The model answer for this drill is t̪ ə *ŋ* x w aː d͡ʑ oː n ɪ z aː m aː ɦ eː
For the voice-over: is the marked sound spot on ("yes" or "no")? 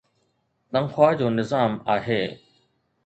yes